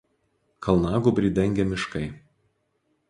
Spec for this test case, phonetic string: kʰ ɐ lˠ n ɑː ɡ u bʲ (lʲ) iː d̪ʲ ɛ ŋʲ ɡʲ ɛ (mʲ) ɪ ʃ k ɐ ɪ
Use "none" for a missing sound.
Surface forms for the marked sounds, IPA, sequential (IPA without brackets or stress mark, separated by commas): ɾʲ, mʲ